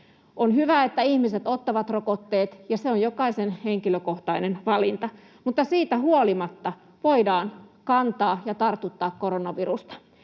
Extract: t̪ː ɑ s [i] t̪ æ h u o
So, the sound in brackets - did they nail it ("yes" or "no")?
no